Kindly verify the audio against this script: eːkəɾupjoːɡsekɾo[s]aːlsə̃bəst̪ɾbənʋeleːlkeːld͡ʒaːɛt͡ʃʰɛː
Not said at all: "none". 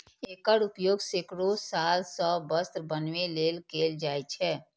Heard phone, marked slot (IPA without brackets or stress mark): s